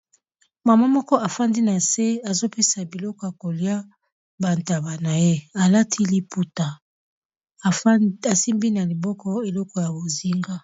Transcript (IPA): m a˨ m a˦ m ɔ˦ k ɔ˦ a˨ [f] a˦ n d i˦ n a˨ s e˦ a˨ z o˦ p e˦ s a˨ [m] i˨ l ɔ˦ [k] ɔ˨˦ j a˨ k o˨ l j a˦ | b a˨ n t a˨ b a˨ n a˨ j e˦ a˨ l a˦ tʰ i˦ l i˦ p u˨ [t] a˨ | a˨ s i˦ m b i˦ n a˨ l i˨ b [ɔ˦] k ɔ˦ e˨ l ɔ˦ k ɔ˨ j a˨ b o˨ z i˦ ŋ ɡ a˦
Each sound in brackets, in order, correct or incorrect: correct, incorrect: b, correct, correct, correct

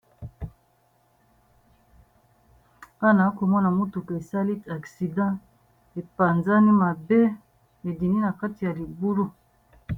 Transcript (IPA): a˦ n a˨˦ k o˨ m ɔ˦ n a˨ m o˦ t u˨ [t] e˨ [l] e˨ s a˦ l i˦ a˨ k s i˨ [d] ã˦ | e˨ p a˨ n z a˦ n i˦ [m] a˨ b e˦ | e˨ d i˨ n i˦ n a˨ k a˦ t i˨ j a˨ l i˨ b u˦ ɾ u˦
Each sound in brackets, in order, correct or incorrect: incorrect: k, incorrect: none, correct, correct

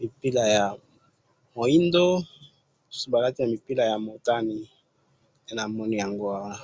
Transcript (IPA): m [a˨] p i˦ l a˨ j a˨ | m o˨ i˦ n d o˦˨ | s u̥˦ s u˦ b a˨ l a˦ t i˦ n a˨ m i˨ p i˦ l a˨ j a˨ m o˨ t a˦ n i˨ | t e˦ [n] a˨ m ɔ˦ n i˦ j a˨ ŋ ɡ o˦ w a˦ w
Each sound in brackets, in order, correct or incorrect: incorrect: i˨, correct

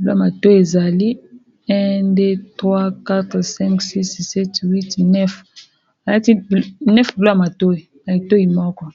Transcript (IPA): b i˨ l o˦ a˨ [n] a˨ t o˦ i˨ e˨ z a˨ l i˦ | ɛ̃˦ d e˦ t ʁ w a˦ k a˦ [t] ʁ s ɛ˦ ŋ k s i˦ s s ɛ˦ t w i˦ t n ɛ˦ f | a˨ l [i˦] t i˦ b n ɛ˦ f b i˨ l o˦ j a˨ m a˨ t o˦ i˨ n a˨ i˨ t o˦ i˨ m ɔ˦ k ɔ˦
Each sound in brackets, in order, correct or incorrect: incorrect: m, correct, incorrect: a˦

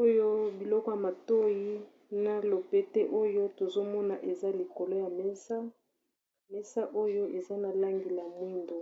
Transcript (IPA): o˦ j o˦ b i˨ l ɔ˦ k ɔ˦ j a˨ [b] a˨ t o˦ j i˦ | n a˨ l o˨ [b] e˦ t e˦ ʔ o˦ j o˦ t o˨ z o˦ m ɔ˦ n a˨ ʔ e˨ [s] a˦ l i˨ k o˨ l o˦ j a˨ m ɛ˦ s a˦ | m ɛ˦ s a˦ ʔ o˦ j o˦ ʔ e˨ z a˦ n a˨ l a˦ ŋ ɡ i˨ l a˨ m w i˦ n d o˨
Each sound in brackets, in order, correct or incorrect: incorrect: m, incorrect: p, incorrect: z

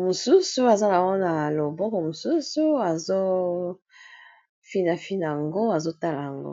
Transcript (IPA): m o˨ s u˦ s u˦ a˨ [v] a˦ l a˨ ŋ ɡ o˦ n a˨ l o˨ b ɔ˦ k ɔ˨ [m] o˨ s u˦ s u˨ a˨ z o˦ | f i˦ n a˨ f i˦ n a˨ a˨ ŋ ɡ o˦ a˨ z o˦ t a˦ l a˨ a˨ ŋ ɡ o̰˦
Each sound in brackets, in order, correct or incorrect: incorrect: z, correct

